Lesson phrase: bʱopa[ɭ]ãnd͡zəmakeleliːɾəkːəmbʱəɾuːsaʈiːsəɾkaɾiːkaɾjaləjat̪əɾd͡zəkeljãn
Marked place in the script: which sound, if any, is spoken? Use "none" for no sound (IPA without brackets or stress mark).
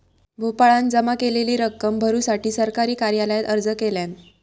ɭ